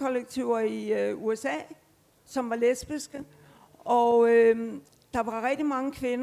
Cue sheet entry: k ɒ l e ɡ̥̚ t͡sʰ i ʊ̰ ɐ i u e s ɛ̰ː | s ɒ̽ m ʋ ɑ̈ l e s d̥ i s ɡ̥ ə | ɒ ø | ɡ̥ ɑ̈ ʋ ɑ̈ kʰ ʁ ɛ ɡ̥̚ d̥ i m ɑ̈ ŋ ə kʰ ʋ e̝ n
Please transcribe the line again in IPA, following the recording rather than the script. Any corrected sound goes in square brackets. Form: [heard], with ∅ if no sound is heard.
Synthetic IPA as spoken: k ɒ l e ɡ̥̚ t͡sʰ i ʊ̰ ɐ i u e s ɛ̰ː | s ɒ̽ m ʋ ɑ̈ l e s [b̥] i s ɡ̥ ə | ɒ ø | [d̥] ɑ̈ ʋ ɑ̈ [∅] ʁ ɛ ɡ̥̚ d̥ i m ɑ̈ ŋ ə kʰ ʋ e̝ n